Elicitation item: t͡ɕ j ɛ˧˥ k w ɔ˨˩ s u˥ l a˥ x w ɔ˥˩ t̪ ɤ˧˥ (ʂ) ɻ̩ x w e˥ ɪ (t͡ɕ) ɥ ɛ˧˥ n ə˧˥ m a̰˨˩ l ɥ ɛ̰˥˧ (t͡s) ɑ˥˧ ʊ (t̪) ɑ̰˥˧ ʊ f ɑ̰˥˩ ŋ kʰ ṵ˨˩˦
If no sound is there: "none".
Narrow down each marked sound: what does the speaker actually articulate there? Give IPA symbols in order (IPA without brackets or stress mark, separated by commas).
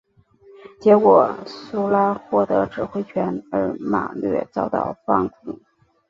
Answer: ʈ͡ʂ, t͡ɕʰ, t͡s, t̪